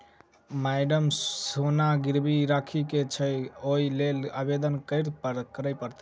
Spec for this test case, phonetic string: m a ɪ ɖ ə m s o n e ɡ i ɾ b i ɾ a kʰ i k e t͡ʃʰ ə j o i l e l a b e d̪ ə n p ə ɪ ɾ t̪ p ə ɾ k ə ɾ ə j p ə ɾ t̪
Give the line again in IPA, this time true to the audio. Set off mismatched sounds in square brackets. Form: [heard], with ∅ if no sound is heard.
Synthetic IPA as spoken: m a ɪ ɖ ə m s o n [a] ɡ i ɾ b i ɾ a kʰ i k e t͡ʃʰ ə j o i l e l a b e d̪ ə n [k] ə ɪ ɾ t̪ p ə ɾ k ə ɾ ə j p ə ɾ t̪